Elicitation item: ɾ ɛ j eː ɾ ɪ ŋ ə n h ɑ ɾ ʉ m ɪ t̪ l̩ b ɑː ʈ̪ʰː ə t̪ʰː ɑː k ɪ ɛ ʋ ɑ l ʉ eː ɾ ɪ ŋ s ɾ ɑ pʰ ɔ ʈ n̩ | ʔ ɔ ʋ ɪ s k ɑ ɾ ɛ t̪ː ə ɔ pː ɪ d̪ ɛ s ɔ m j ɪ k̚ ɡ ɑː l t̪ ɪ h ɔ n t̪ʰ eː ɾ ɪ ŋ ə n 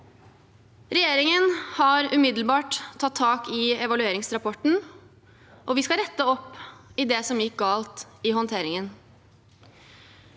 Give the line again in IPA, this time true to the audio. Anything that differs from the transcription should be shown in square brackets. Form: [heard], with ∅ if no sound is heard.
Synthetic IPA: ɾ ɛ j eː ɾ ɪ ŋ ə n h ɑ ɾ ʉ m ɪ [d̪] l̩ b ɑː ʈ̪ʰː [ɑ] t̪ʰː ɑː k ɪ ɛ ʋ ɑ l ʉ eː ɾ ɪ ŋ s ɾ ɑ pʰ ɔ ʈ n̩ | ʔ ɔ ʋ ɪ s k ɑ ɾ ɛ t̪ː ə ɔ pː ɪ d̪ ɛ s ɔ m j ɪ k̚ ɡ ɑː l t̪ ɪ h ɔ n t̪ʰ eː ɾ ɪ ŋ ə n